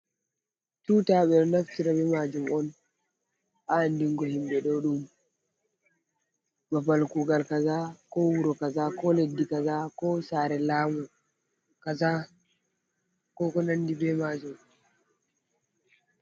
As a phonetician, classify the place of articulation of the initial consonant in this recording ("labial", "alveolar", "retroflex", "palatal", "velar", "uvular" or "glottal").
alveolar